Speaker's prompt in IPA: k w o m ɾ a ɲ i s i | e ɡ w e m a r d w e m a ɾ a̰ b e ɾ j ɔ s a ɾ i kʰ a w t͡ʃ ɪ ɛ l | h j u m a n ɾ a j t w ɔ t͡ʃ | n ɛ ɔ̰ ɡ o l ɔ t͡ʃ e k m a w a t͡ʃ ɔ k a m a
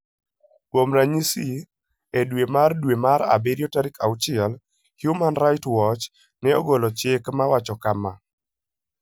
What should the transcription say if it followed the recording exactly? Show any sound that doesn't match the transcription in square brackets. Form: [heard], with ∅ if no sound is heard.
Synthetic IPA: k w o m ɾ a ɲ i s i | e [d] w e m a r d w e m a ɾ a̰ b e ɾ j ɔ [t] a ɾ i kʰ a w t͡ʃ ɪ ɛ l | h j u m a n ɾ a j t w ɔ t͡ʃ | n ɛ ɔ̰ ɡ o l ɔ t͡ʃ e k m a w a t͡ʃ ɔ k a m a

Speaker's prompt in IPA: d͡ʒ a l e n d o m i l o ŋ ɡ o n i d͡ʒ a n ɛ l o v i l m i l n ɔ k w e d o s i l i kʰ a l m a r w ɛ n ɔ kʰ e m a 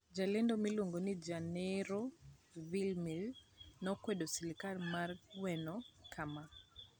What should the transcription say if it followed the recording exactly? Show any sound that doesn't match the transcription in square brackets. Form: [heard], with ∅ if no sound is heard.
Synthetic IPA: d͡ʒ a l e n d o m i l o ŋ ɡ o n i d͡ʒ a n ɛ [ɾ] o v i l m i l n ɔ k w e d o s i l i [k] a l m a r w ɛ n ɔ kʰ [a] m a

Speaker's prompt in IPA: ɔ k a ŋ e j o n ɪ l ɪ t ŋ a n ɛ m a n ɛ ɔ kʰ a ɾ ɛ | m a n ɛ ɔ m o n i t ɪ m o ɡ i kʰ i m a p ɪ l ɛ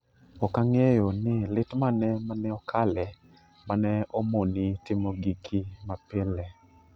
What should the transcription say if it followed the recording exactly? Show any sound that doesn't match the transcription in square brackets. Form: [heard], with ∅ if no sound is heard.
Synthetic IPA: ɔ k a ŋ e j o n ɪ l ɪ t [m] a n ɛ m a n ɛ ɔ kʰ a [l] ɛ | m a n ɛ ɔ m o n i t ɪ m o ɡ i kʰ i m a p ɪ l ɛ

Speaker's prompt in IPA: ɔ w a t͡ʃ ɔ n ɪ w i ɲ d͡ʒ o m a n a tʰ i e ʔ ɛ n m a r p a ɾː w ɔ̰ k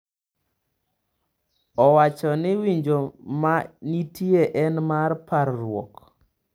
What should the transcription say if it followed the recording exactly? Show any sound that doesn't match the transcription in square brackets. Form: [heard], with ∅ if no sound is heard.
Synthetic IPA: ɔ w a t͡ʃ ɔ n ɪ w i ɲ d͡ʒ o m a n [i] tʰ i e ʔ ɛ n m a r p a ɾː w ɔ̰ k

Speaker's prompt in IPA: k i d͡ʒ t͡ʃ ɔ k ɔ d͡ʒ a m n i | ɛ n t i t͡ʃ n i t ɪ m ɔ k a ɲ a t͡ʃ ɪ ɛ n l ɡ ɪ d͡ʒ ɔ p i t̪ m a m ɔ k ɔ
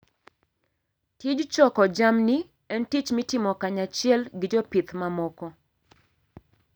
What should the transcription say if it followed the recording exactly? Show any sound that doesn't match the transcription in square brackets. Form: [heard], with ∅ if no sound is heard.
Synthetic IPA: [t] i d͡ʒ t͡ʃ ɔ k ɔ d͡ʒ a m n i | ɛ n t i t͡ʃ [m] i t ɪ m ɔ k a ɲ a t͡ʃ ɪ ɛ [∅] l ɡ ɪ d͡ʒ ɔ p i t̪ m a m ɔ k ɔ

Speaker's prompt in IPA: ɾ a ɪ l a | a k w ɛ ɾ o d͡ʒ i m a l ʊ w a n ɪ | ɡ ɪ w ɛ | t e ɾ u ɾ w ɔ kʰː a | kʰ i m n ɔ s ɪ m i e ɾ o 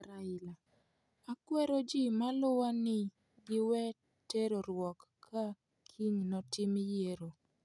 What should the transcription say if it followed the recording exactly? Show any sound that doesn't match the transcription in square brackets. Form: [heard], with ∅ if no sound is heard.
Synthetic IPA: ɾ a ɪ l a | a k w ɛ ɾ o d͡ʒ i m a l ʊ w a n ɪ | ɡ ɪ w ɛ | t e ɾ [o] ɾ w ɔ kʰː a | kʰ i [ɲ] n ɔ [t] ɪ m [j] e ɾ o

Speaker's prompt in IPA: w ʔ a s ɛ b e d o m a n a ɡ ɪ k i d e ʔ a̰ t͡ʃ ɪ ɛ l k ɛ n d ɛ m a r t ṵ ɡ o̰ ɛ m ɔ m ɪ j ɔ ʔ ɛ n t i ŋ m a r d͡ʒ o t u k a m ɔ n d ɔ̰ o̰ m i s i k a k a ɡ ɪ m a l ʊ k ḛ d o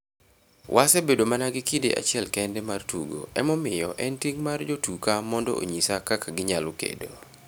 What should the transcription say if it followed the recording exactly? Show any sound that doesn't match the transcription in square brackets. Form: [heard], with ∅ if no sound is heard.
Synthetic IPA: w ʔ a s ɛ b e d o m a n a ɡ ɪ k i d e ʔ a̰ t͡ʃ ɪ ɛ l k ɛ n d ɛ m a r t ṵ ɡ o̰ ɛ m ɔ m ɪ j ɔ ʔ ɛ n t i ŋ m a r d͡ʒ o t u k a m ɔ n d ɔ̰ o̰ [ɲ] i s [a] k a k a ɡ ɪ [ɲ] a l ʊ k ḛ d o

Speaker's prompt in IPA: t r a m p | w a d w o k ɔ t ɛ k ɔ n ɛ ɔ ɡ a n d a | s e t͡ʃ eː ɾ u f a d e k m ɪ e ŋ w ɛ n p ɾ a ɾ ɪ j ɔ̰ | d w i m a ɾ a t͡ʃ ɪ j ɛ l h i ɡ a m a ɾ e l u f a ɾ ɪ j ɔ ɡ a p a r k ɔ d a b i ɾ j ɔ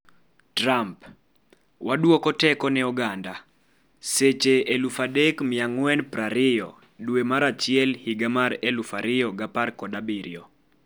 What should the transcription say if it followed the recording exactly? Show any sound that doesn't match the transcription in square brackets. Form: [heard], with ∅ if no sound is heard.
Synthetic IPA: t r a m p | w a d w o k ɔ t ɛ k ɔ n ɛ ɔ ɡ a n d a | s e t͡ʃ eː [l] u f a d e k m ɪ [a] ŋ w ɛ n p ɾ a ɾ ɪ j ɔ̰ | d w [e] m a ɾ a t͡ʃ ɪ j ɛ l h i ɡ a m a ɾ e l u f a ɾ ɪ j ɔ ɡ a p a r k ɔ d a b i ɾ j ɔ

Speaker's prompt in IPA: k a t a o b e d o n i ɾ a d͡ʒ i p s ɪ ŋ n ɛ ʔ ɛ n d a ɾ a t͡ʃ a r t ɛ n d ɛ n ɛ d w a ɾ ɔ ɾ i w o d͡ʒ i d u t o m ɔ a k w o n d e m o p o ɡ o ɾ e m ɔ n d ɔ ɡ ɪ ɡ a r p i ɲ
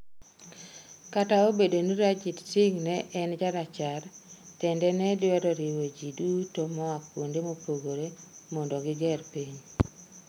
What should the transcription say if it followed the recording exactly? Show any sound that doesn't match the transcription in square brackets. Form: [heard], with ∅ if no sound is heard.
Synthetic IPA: k a t a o b e d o n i ɾ a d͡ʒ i [t] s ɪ ŋ n ɛ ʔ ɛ n [d͡ʒ] a ɾ a t͡ʃ a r t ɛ n d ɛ n ɛ d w [ɛ] ɾ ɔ ɾ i w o d͡ʒ i d u t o m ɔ a k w o n d e m o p o ɡ o ɾ e m ɔ n d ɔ ɡ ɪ ɡ [ɛ] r p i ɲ

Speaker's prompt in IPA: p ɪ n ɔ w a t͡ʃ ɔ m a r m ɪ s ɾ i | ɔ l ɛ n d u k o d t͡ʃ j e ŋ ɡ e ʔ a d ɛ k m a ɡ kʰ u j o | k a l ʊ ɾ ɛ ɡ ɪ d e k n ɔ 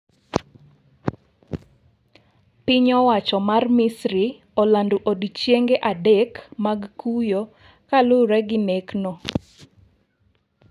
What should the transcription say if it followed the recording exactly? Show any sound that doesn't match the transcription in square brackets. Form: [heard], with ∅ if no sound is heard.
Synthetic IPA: p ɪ [ɲ] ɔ w a t͡ʃ ɔ m a r m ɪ s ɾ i | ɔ l [a] n d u [ʔ] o d t͡ʃ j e ŋ ɡ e ʔ a d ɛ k m a ɡ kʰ u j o | k a l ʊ ɾ ɛ ɡ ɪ [n] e k n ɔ

